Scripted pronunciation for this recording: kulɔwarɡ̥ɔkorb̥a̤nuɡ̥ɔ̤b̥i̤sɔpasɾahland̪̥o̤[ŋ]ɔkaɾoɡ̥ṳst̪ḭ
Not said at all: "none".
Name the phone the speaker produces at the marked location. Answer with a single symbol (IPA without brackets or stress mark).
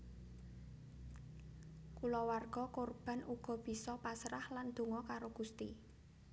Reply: ŋ